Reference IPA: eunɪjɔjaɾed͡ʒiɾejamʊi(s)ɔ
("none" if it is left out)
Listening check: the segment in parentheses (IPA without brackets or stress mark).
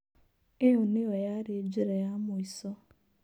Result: s